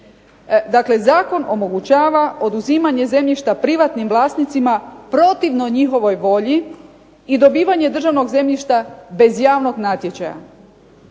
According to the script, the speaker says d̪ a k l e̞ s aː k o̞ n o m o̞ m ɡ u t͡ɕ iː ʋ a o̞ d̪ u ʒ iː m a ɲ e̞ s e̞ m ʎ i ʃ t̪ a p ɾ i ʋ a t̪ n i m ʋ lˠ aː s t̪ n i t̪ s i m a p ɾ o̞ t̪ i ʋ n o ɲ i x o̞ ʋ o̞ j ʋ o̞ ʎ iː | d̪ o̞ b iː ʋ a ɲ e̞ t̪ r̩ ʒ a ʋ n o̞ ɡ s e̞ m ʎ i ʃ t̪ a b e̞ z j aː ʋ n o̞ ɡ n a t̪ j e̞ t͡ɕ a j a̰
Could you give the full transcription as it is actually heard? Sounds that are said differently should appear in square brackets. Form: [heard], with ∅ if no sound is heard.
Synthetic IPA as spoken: d̪ a k l e̞ [z] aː k o̞ n o m o̞ [∅] ɡ u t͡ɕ [aː] ʋ a o̞ d̪ u [z] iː m a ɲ e̞ [z] e̞ m ʎ i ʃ t̪ a p ɾ i ʋ a t̪ n i m ʋ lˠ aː s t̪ n i t̪ s i m a p ɾ o̞ t̪ i ʋ n o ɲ i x o̞ ʋ o̞ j ʋ o̞ ʎ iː | d̪ o̞ b iː ʋ a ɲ e̞ [d̪] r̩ ʒ a ʋ n o̞ ɡ [z] e̞ m ʎ i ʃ t̪ a b e̞ z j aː ʋ n o̞ ɡ n a t̪ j e̞ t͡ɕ a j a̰

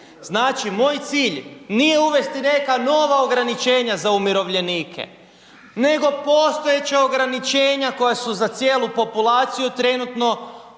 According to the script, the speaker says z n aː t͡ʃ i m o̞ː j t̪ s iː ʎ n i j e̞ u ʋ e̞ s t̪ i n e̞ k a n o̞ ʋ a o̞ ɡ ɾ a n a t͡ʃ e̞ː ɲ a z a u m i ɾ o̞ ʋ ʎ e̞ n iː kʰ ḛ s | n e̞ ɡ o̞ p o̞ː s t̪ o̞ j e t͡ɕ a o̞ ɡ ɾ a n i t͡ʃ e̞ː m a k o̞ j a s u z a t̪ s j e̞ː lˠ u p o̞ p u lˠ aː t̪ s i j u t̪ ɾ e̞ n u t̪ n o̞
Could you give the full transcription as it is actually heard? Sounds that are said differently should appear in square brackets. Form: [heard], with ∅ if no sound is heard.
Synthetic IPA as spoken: z n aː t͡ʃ i m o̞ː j t̪ s iː ʎ n i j e̞ u ʋ e̞ s t̪ i n e̞ k a n o̞ ʋ a o̞ ɡ ɾ a n [i] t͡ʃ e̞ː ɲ a z a u m i ɾ o̞ ʋ ʎ e̞ n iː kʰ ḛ [∅] | n e̞ ɡ o̞ p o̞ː s t̪ o̞ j e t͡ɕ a o̞ ɡ ɾ a n i t͡ʃ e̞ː [ɲ] a k o̞ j a s u z a t̪ s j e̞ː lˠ u p o̞ p u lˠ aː t̪ s i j u t̪ ɾ e̞ n u t̪ n o̞

